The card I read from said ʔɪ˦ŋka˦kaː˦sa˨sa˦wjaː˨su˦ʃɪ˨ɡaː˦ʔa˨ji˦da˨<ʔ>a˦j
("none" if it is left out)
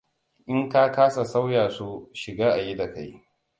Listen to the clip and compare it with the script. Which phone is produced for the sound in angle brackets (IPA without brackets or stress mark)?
k